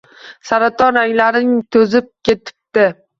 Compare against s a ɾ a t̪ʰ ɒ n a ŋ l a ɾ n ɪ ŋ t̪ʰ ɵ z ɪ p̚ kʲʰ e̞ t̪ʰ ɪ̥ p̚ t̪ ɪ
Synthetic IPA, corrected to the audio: s a ɾ a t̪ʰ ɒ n a ŋ l a ɾ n ɪ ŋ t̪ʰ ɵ z ɪ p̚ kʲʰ e̞ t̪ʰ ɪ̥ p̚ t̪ ɪ